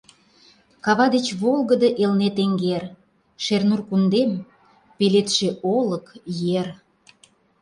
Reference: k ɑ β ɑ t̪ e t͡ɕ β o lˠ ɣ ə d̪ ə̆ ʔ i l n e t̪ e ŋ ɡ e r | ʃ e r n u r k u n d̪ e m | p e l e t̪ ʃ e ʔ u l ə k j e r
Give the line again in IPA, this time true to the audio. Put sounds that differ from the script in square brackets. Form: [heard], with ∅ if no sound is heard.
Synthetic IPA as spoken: k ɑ β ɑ [d̪] e t͡ɕ β o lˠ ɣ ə d̪ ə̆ ʔ [e] l n e t̪ e ŋ ɡ e r | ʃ e r n u r k u n d̪ e m | p e l e t̪ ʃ e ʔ [o] l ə k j e r